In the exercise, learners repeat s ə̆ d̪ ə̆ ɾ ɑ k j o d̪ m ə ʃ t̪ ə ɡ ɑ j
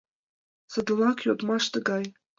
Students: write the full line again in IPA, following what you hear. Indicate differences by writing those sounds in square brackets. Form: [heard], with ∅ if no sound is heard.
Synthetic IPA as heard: s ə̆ d̪ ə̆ [l] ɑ k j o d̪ m [ɑ] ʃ t̪ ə ɡ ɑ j